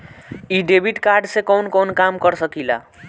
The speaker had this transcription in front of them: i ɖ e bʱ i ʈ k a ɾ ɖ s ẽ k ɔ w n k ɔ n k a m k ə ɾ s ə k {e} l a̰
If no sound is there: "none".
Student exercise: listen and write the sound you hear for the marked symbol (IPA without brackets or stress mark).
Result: i